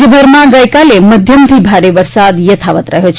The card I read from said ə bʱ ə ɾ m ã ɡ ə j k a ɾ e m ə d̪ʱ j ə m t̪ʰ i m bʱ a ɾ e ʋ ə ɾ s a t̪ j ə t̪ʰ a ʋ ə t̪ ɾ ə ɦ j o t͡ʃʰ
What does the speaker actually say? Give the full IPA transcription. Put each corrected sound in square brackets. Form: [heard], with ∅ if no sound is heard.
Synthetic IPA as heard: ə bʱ ə ɾ m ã ɡ ə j k a [l] e m ə d̪ʱ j ə m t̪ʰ i [∅] bʱ a ɾ e ʋ ə ɾ s a [d̪] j ə t̪ʰ a ʋ ə t̪ ɾ ə ɦ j o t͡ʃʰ

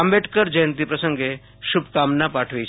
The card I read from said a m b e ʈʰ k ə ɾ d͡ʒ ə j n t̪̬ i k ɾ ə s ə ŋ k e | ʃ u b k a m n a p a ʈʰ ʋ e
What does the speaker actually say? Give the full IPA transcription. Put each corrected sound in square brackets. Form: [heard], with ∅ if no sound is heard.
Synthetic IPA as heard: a m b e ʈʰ k ə ɾ d͡ʒ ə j n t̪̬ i [p] ɾ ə s ə ŋ [ɡ] e | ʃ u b k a m n a p a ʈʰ ʋ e

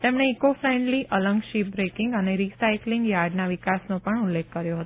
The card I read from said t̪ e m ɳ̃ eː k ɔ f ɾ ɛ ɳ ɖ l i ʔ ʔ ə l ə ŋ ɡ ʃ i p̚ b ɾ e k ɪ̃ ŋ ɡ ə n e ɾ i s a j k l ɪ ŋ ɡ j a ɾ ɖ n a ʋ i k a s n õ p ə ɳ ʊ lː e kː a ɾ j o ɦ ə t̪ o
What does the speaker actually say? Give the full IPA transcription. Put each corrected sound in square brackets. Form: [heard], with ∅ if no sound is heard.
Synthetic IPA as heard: t̪ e m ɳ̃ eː k [o] f ɾ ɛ ɳ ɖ l i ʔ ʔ ə l ə ŋ ɡ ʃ i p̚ b ɾ e k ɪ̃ ŋ ɡ ə n e ɾ i s a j k l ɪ ŋ ɡ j a ɾ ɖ n a ʋ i k a s n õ p ə ɳ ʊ lː e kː [ə] ɾ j o ɦ ə t̪ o

